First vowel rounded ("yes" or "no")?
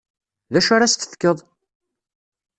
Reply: no